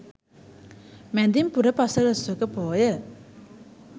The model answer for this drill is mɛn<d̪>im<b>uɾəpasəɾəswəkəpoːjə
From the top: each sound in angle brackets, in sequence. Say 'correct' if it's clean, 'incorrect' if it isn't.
correct, incorrect: p

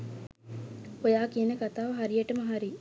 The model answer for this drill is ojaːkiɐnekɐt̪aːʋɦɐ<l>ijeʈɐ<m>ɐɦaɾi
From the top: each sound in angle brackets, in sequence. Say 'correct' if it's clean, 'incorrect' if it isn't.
incorrect: ɾ, correct

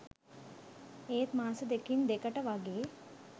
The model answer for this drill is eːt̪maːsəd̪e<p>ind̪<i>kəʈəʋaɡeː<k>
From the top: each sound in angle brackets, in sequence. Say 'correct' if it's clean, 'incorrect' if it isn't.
incorrect: k, incorrect: e, incorrect: none

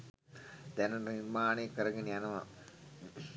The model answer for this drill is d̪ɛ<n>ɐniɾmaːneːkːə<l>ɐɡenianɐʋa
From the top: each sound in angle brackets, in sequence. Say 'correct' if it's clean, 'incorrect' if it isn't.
correct, incorrect: ɾ

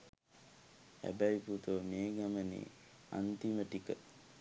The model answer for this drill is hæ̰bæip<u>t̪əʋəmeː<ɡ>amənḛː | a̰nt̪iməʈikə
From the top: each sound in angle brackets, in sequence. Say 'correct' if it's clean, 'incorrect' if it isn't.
correct, correct

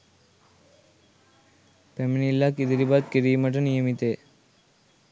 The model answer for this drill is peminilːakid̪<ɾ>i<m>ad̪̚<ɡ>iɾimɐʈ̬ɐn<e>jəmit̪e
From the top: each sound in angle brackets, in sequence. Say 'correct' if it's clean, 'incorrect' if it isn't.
correct, incorrect: b, incorrect: k, incorrect: i

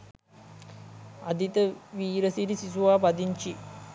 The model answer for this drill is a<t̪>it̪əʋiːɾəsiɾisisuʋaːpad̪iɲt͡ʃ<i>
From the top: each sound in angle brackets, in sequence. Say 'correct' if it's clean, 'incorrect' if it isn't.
incorrect: d̪, correct

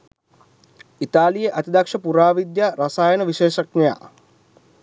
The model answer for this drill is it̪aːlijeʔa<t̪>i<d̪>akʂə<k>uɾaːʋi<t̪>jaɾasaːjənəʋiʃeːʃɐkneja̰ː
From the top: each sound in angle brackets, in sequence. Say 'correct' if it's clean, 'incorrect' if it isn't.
correct, correct, incorrect: p, incorrect: d̪

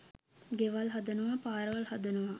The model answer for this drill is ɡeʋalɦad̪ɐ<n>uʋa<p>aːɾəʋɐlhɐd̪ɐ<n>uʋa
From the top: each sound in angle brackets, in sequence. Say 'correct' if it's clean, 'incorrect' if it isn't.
correct, correct, correct

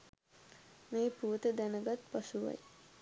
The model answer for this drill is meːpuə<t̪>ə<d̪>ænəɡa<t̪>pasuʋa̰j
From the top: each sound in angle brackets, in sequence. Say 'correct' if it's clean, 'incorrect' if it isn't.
correct, correct, correct

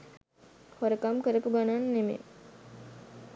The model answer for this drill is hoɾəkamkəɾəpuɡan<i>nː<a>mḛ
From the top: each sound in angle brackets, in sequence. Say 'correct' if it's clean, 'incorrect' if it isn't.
incorrect: a, incorrect: e

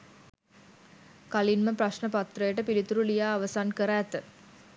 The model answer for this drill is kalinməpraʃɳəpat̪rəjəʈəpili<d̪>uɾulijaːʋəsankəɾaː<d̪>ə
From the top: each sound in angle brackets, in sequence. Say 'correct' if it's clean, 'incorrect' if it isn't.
incorrect: t̪, incorrect: t̪

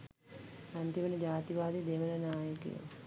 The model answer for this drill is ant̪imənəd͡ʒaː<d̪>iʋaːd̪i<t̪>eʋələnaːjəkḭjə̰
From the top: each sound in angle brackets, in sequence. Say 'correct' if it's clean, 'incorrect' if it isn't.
incorrect: t̪, incorrect: d̪

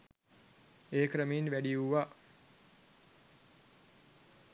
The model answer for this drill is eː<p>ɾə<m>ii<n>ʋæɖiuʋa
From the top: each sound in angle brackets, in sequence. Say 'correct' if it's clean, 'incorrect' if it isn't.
incorrect: k, correct, correct

